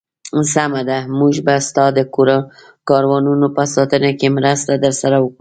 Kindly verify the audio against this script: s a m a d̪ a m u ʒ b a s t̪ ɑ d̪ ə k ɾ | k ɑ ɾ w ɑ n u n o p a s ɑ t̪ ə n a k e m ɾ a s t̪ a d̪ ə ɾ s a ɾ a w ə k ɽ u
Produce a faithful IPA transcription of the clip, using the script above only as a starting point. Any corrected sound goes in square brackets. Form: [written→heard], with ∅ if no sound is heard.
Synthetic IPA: s a m a d̪ a m u ʒ b a s t̪ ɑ d̪ ə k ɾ | k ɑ ɾ w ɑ n u n o p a s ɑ t̪ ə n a k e m ɾ a s t̪ a d̪ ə ɾ s a ɾ a w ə k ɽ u